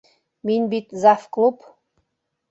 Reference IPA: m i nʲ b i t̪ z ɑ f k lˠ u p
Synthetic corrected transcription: m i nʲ b i t̪ z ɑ f k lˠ u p